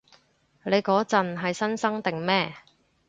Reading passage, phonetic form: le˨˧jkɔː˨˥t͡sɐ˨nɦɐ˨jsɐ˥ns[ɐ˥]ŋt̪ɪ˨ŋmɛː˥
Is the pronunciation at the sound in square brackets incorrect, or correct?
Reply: correct